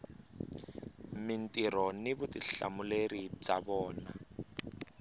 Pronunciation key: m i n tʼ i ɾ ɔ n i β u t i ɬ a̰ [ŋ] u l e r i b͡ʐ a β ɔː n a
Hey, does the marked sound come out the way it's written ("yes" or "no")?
no